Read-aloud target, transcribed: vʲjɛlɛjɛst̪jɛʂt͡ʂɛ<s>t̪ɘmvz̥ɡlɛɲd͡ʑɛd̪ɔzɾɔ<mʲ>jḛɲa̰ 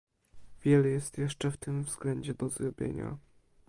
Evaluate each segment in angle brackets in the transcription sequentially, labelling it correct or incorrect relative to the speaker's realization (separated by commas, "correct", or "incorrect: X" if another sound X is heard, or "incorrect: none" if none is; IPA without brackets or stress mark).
incorrect: f, incorrect: bʲ